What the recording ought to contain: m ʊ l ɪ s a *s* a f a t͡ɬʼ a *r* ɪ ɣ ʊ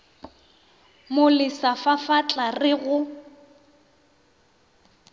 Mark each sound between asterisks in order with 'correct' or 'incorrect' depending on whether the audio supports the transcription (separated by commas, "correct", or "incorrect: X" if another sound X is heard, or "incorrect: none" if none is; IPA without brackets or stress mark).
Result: incorrect: f, correct